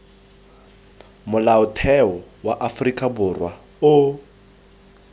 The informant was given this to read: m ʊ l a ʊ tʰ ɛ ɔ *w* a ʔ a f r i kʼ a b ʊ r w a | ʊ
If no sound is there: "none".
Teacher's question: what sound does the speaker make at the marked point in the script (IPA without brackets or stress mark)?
w